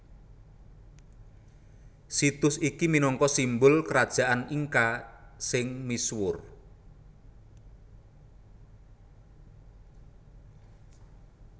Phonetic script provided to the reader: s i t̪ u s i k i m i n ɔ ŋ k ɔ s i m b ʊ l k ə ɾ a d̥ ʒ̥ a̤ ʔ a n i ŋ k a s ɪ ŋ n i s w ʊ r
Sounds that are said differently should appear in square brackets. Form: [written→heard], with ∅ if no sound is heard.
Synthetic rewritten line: s i t̪ [u→ʊ] s i k i m i n ɔ ŋ k ɔ s i m b ʊ l k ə ɾ a d̥ ʒ̥ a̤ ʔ a n i ŋ k a s ɪ ŋ [n→m] i s w ʊ r